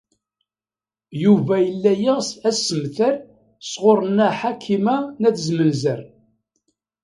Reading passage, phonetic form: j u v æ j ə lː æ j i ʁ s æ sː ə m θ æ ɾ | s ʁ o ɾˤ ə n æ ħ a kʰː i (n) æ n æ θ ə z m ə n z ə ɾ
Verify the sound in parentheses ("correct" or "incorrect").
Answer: incorrect